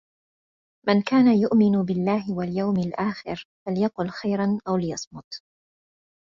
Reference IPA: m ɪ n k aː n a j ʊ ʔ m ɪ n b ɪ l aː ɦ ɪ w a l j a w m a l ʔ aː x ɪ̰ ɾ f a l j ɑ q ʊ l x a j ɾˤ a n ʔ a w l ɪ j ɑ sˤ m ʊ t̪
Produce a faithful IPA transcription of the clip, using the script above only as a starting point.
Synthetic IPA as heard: m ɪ n k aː n a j ʊ ʔ m ɪ n b ɪ lː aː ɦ ɪ w a l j a w m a l ʔ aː x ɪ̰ ɾ f a l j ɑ q ʊ l x a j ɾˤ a n ʔ a w l ɪ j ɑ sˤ m ʊ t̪